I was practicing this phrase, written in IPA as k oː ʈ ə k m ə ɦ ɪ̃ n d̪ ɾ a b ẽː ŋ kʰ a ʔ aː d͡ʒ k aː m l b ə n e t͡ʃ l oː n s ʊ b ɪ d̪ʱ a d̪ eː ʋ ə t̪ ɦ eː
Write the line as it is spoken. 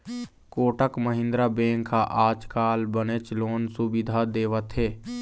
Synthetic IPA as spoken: k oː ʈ ə k m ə ɦ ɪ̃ n d̪ ɾ a b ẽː ŋ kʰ a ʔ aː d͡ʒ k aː l b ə n e t͡ʃ l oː n s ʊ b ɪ d̪ʱ a d̪ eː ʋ ə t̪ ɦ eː